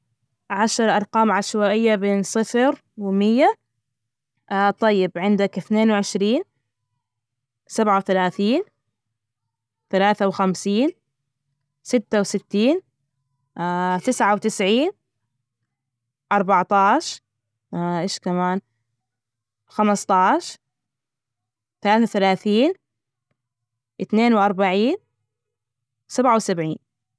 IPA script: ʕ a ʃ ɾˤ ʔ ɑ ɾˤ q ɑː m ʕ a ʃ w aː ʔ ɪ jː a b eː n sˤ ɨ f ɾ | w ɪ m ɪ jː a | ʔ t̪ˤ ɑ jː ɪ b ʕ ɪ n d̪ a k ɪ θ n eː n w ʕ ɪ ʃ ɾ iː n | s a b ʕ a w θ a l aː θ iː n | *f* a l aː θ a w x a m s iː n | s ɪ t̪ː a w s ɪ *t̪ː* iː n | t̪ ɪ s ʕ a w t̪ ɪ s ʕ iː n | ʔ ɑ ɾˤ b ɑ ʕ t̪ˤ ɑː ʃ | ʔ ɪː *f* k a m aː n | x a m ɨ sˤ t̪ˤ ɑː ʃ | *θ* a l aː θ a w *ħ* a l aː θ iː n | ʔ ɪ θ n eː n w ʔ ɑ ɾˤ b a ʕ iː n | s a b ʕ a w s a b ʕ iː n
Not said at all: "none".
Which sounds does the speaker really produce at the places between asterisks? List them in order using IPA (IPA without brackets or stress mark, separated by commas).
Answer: θ, t̪ː, ʃ, θ, θ